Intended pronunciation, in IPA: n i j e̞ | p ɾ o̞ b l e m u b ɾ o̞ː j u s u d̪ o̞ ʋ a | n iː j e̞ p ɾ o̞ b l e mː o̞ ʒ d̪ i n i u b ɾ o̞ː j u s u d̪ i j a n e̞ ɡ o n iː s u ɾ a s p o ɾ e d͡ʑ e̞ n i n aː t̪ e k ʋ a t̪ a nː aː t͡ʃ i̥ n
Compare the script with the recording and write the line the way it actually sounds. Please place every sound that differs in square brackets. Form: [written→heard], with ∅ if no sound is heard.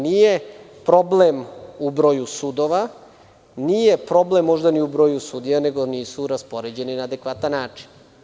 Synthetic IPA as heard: n i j e̞ | p ɾ o̞ b l e m u b ɾ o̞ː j u s u d̪ o̞ ʋ a | n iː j e̞ p ɾ o̞ b l e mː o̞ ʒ d̪ [i→a] n i u b ɾ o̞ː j u s u d̪ i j a n e̞ ɡ o n iː s u ɾ a s p o ɾ e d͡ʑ e̞ n i n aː [t̪→d̪] e k ʋ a t̪ a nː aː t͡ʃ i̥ n